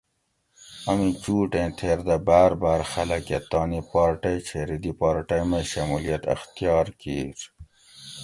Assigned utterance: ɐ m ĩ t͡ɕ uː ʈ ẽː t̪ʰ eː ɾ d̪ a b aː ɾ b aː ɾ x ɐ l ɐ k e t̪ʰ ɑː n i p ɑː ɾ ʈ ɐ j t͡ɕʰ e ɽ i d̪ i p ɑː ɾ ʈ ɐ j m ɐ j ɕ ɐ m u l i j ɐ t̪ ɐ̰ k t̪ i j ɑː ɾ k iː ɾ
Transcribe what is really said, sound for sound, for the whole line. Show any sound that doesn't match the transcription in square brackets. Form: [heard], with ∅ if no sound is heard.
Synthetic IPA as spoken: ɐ m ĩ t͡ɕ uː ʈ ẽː t̪ʰ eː ɾ d̪ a b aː ɾ b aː ɾ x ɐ l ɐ k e [t̪] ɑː n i p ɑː ɾ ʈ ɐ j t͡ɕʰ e [ɾ] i d̪ i p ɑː ɾ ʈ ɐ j m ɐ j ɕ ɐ m u l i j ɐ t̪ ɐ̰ [x] t̪ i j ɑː ɾ k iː ɾ